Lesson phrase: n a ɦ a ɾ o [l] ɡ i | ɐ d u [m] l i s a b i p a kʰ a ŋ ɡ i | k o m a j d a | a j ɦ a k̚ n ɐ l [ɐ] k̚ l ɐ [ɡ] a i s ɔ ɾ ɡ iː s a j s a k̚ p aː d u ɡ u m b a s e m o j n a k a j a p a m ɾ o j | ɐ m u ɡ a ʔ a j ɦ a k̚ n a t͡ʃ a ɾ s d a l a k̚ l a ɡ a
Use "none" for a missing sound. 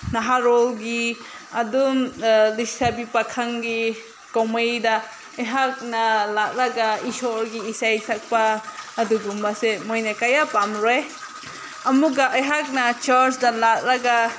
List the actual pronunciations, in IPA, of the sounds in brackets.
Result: l, m, a, ɡ

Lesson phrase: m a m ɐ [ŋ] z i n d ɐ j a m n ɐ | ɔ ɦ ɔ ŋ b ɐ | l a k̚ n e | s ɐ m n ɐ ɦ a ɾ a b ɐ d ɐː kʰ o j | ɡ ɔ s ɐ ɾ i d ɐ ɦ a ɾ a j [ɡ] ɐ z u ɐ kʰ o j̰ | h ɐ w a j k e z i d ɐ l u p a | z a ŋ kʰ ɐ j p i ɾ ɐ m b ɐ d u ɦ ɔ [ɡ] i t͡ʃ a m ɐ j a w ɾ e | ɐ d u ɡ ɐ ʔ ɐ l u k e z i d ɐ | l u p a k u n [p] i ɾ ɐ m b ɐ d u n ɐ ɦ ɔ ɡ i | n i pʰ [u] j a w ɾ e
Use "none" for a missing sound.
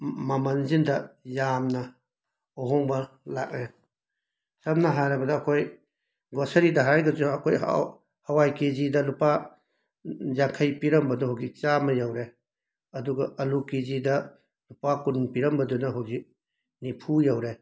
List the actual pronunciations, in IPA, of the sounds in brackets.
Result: n, ɡ, ɡ, p, u

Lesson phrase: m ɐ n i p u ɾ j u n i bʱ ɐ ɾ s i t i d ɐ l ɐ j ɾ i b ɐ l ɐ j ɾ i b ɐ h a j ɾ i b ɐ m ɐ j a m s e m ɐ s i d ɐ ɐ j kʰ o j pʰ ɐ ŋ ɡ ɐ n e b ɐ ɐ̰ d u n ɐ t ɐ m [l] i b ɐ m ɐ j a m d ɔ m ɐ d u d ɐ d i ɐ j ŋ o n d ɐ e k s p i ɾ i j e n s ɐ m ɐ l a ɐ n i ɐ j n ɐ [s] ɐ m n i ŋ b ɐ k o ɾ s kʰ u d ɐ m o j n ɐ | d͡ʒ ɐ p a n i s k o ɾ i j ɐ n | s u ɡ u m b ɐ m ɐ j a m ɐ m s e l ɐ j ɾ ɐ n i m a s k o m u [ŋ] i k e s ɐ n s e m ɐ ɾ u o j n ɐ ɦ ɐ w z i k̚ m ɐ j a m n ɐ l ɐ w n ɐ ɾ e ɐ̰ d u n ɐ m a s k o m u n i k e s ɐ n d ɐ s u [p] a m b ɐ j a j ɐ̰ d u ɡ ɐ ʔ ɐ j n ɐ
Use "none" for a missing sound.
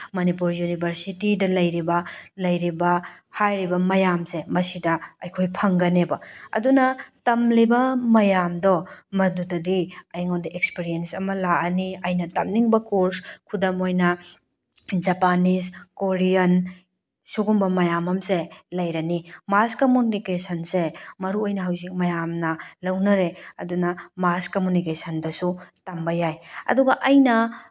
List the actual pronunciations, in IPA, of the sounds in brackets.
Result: l, t, n, t

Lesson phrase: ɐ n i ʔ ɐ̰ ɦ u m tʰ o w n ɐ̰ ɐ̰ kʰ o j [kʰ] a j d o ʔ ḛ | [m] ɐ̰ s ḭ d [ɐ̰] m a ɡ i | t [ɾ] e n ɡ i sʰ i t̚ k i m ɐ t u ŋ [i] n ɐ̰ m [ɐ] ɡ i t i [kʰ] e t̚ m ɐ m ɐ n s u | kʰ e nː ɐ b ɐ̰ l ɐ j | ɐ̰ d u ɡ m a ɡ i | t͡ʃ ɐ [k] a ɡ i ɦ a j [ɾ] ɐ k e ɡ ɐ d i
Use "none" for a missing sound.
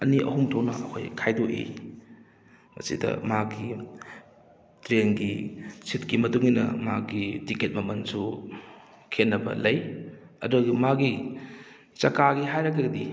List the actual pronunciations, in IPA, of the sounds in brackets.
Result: kʰ, m, ɐ̰, ɾ, i, a, k, k, ɾ

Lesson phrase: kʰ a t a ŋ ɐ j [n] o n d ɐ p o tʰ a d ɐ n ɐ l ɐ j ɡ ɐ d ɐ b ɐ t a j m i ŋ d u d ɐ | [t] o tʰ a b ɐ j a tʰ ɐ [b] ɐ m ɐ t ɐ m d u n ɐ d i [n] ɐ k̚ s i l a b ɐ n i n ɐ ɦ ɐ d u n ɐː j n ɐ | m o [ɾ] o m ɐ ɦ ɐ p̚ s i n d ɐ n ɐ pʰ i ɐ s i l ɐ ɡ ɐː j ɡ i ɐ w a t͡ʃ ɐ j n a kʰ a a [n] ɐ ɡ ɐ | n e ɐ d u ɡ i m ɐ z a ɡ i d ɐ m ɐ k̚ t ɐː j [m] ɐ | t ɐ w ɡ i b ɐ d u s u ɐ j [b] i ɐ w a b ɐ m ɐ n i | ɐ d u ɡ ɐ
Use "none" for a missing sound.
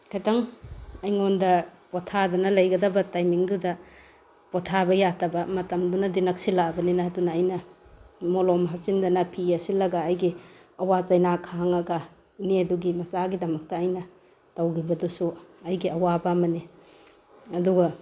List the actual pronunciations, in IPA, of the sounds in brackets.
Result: ŋ, p, b, n, l, ŋ, n, ɡ

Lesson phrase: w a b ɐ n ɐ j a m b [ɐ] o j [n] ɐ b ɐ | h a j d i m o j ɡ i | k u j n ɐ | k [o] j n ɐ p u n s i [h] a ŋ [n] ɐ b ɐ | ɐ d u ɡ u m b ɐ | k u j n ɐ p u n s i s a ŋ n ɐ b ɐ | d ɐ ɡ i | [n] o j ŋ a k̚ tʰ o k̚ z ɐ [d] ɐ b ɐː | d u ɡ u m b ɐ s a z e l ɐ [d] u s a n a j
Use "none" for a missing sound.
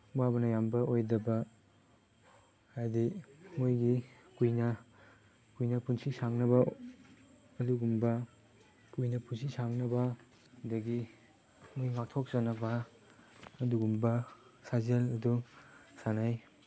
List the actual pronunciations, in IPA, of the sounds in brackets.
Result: ɐ, d, u, s, n, m, n, d

